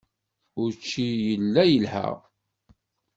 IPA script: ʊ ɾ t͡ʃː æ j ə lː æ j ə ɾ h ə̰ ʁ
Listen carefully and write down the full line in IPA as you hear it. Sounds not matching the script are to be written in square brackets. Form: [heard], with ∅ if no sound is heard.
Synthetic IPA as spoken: ʊ ɾ t͡ʃː [i] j ə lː æ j ə [l] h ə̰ ʁ